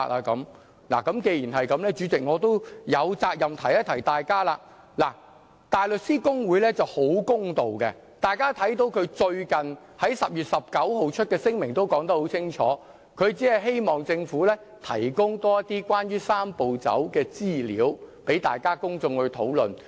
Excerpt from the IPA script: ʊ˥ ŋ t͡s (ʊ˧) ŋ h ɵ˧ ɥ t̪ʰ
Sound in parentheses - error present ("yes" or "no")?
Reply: no